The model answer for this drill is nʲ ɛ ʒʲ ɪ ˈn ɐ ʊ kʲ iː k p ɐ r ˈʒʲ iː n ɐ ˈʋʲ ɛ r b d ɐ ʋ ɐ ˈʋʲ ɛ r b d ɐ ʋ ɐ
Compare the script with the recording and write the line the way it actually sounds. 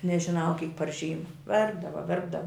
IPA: nʲ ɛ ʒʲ ɪ ˈn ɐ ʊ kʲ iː k p ɐ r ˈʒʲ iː m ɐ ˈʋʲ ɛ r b d ɐ ʋ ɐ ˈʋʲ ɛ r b d ɐ ʋ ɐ